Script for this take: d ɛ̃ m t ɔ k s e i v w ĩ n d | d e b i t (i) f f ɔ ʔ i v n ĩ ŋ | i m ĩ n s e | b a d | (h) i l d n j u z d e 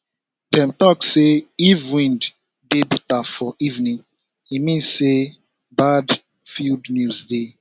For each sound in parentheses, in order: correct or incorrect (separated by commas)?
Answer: incorrect, incorrect